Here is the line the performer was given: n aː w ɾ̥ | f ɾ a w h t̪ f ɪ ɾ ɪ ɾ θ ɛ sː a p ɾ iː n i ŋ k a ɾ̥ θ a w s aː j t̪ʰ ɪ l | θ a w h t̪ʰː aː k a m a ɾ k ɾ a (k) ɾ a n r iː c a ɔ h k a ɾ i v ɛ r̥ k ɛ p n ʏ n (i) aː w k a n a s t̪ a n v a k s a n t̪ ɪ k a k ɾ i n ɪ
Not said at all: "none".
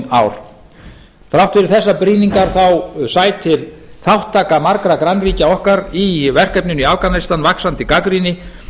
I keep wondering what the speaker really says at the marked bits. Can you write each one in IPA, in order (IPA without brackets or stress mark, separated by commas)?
k, i